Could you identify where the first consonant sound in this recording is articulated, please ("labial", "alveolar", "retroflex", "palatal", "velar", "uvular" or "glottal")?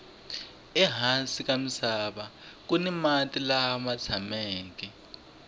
glottal